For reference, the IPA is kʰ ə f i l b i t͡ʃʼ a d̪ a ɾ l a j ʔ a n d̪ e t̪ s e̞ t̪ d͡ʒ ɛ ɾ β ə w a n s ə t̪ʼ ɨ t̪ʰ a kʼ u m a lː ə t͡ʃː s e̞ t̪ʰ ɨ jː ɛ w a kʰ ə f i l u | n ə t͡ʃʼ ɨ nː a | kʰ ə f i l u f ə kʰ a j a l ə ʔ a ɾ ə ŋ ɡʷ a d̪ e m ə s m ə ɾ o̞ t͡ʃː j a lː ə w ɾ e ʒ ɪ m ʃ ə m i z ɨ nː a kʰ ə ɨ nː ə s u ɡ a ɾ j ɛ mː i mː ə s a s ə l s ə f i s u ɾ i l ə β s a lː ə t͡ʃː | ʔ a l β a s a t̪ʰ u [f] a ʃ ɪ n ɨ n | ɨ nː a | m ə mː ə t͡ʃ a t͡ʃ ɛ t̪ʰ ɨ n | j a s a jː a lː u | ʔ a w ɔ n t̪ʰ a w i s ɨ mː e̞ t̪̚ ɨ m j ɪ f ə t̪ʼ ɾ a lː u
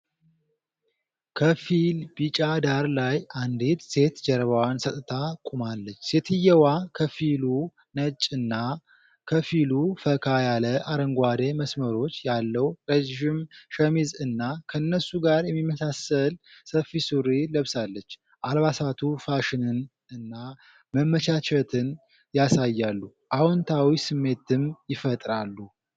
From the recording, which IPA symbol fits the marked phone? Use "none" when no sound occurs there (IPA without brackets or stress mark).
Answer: f